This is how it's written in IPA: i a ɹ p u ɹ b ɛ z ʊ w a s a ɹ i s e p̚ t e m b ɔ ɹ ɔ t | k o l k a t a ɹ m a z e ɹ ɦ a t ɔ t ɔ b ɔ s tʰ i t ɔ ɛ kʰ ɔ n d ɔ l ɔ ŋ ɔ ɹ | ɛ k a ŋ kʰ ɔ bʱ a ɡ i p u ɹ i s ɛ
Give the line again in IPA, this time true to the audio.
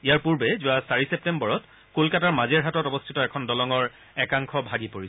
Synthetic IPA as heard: i a ɹ p u ɹ b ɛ z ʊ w a s a ɹ i s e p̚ t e m b ɔ ɹ ɔ t | k o l k a t a ɹ m a z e ɹ ɦ a t ɔ t ɔ b ɔ s tʰ i t ɔ ɛ kʰ ɔ n d ɔ l ɔ ŋ ɔ ɹ | ɛ k a ŋ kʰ ɔ bʱ a ɡ i p o ɹ i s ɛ